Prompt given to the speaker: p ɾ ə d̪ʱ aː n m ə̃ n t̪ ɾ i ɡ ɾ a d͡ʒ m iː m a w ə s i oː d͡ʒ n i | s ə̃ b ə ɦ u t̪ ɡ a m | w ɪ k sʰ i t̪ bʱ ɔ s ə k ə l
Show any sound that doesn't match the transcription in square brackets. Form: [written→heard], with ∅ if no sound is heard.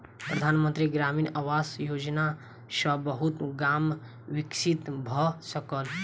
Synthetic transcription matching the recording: p ɾ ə d̪ʱ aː n m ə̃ n t̪ ɾ i ɡ ɾ a [d͡ʒ→∅] m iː [m→n] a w [ə→a] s [i→j] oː d͡ʒ n [i→a] | s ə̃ b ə ɦ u t̪ ɡ a m | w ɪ k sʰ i t̪ bʱ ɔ s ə k ə l